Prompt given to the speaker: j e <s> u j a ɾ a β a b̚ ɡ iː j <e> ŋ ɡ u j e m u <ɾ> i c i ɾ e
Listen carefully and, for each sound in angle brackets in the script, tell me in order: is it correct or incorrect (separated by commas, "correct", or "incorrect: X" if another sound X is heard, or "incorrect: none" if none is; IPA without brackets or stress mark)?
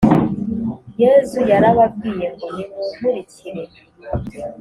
incorrect: z, correct, correct